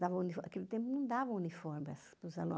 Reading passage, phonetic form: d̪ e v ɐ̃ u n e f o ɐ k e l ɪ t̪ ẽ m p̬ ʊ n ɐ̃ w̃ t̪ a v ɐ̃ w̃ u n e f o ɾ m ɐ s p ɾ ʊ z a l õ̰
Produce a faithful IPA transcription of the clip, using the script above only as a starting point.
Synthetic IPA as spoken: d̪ a v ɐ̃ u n i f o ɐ k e l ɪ t̪ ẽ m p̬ ʊ n ɐ̃ w̃ d̪ a v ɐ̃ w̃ u n i f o ɾ m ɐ s p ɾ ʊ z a l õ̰